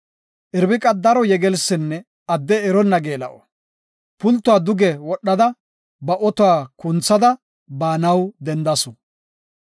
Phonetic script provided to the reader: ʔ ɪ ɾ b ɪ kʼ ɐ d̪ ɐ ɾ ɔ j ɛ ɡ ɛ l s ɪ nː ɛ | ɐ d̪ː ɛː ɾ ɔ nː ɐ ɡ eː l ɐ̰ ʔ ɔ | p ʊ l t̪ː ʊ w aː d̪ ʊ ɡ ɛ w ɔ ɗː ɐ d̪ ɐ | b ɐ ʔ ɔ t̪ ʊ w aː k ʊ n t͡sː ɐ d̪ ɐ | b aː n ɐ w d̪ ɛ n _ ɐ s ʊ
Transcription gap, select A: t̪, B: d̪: B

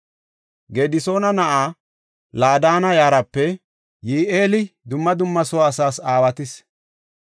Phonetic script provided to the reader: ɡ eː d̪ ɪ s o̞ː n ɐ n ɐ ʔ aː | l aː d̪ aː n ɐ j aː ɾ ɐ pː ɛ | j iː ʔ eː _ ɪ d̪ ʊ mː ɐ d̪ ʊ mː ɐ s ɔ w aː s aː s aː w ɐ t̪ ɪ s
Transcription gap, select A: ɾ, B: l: B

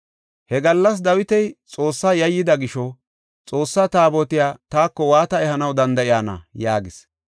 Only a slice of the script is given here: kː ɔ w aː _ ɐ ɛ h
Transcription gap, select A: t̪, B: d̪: A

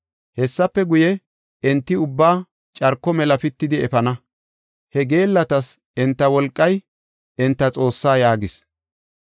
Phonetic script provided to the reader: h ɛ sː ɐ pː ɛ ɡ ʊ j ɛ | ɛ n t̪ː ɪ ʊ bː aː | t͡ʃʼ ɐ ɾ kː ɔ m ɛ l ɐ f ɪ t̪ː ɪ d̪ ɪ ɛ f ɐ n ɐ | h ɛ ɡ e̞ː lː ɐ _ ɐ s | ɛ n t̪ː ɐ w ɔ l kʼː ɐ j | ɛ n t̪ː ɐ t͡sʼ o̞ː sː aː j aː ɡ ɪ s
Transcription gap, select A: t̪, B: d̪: A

